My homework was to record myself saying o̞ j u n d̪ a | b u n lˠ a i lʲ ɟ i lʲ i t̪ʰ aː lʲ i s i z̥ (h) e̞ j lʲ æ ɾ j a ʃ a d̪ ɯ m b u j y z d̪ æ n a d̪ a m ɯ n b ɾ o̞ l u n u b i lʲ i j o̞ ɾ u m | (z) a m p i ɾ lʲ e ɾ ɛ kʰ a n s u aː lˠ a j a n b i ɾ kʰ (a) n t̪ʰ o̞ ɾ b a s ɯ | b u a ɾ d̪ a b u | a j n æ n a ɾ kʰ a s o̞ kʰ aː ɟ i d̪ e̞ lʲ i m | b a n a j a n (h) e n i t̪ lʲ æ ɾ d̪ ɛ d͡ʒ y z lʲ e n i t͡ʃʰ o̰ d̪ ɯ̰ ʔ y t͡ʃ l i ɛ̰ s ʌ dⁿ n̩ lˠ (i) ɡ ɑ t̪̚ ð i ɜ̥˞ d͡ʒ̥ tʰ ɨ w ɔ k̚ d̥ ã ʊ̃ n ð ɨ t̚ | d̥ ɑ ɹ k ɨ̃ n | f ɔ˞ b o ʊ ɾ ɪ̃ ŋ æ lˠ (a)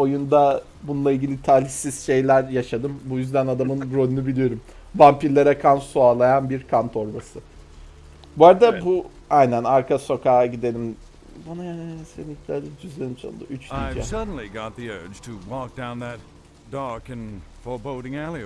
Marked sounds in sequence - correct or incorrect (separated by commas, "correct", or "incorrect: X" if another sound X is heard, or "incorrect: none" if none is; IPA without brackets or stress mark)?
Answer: incorrect: ʃ, incorrect: v, correct, incorrect: s, correct, incorrect: i